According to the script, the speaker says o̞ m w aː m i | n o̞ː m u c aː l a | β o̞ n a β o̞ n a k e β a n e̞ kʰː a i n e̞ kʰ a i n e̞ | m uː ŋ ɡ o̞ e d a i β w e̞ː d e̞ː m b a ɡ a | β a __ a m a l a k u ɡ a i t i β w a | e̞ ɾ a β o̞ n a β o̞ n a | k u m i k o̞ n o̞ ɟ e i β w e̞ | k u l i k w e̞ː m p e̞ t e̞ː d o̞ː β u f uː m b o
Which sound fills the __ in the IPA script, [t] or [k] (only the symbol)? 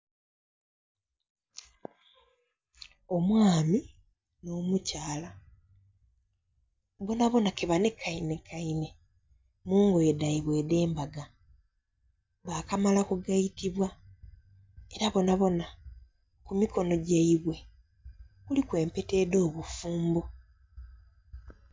k